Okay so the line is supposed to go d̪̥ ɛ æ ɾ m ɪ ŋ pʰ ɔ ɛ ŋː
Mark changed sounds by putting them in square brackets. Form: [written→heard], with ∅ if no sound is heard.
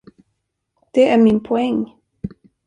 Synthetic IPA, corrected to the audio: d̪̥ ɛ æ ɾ m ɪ [ŋ→n] pʰ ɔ ɛ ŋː